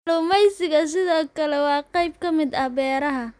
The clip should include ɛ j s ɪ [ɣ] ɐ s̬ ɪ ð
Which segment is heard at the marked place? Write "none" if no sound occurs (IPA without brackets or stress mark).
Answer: ɣ